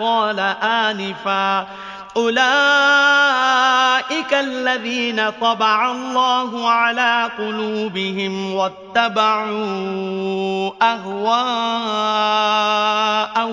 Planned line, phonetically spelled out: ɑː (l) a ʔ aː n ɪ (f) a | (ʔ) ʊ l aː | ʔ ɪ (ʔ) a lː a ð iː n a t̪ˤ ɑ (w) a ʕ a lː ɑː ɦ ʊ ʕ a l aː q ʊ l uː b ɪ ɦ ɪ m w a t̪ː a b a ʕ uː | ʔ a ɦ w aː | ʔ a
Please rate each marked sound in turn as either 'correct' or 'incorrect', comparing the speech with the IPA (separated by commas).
correct, correct, correct, incorrect, incorrect